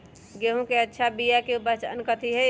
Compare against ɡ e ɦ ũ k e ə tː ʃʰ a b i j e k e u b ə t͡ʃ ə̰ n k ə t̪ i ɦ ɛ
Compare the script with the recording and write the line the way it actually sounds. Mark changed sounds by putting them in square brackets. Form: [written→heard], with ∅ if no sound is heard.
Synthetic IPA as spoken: ɡ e ɦ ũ k e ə tː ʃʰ a b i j [e→a] k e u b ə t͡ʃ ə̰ n k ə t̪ i ɦ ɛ